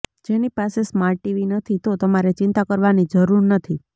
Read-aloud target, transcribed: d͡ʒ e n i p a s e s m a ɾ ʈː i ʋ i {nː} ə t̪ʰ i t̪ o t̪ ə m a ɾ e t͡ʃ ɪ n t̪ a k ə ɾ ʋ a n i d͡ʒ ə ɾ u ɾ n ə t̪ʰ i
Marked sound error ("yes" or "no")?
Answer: yes